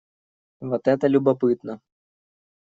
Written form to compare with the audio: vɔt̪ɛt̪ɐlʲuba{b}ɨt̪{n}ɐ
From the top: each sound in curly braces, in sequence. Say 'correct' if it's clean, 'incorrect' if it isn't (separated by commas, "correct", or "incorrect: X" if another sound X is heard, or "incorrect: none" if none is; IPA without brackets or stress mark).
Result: incorrect: p, correct